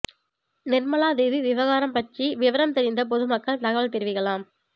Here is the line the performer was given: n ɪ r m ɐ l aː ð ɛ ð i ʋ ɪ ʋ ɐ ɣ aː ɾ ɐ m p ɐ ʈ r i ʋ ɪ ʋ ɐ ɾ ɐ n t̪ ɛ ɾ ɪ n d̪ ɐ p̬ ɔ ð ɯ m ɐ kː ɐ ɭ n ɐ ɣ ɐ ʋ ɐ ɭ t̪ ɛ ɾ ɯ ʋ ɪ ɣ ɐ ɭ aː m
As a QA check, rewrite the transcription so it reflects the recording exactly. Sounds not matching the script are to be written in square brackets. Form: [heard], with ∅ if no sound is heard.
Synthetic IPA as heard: n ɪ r m ɐ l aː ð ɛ ð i ʋ ɪ ʋ ɐ ɣ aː ɾ ɐ m p ɐ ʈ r i ʋ ɪ ʋ ɐ ɾ ɐ [m] t̪ ɛ ɾ ɪ n d̪ ɐ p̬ ɔ ð ɯ m ɐ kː ɐ ɭ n ɐ ɣ ɐ ʋ ɐ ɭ t̪ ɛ ɾ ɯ ʋ ɪ ɣ ɐ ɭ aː m